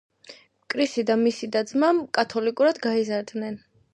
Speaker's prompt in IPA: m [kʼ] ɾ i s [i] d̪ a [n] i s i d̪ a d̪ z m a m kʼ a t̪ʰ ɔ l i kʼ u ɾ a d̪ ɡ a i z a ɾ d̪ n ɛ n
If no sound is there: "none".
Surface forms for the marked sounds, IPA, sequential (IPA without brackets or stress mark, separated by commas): kʼ, i, m